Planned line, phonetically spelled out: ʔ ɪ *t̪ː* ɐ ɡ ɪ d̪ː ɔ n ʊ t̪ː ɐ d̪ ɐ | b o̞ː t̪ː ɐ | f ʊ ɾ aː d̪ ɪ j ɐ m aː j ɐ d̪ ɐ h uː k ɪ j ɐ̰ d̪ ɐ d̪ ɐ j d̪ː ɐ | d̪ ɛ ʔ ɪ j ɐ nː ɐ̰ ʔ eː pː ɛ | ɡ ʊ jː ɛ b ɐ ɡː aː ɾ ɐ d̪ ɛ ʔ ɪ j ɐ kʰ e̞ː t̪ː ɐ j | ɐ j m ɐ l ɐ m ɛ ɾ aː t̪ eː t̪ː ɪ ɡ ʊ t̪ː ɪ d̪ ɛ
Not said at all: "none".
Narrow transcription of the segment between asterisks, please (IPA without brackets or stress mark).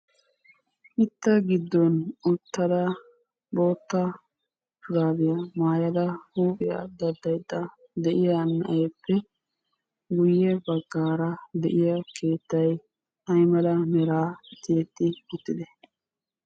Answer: t̪ː